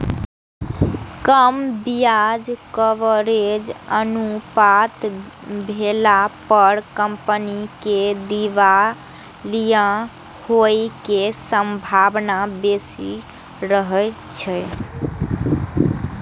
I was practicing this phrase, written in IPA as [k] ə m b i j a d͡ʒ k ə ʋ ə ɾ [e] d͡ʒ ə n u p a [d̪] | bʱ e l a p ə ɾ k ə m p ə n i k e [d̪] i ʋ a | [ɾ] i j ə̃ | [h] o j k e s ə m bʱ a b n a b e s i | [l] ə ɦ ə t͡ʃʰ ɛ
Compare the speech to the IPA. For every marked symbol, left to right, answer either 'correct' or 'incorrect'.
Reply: correct, correct, incorrect, correct, incorrect, correct, incorrect

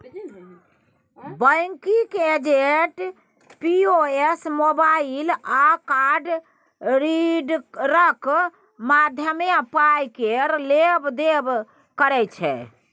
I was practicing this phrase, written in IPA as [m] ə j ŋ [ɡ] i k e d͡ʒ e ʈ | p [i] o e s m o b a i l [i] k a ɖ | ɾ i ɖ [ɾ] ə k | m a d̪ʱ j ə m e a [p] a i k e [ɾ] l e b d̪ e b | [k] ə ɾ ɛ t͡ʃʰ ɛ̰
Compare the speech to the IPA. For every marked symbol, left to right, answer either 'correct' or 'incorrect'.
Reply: incorrect, incorrect, correct, incorrect, correct, correct, correct, correct

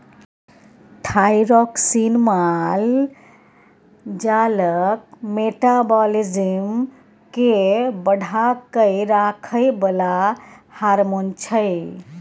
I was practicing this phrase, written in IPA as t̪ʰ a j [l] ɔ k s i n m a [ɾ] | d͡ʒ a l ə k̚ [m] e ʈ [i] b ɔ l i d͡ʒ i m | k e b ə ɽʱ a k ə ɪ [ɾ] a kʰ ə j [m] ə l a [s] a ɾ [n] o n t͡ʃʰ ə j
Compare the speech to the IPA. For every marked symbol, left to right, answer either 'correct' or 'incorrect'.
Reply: incorrect, incorrect, correct, incorrect, correct, incorrect, incorrect, incorrect

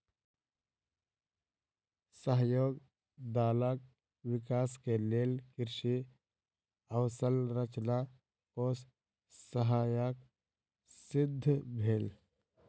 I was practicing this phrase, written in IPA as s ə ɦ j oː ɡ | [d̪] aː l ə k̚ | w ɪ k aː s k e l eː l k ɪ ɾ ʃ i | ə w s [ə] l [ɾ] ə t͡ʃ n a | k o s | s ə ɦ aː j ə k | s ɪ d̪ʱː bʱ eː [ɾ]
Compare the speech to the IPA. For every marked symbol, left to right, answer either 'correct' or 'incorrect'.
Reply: correct, correct, correct, incorrect

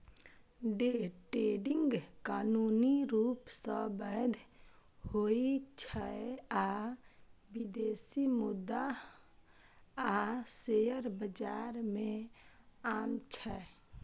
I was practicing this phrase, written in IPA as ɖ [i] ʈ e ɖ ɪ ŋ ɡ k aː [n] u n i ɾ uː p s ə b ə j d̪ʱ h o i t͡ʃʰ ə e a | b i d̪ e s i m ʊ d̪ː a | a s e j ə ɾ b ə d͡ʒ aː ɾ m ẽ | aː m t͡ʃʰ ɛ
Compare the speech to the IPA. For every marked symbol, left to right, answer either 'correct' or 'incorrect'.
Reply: incorrect, correct

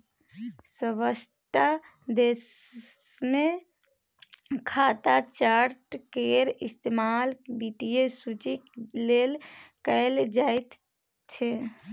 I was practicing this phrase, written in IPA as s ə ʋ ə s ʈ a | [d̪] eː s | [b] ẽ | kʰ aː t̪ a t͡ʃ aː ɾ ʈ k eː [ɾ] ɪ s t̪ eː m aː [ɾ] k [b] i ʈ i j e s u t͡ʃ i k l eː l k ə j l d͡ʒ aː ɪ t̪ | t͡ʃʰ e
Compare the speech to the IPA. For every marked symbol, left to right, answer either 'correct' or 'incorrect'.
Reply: correct, incorrect, correct, incorrect, correct

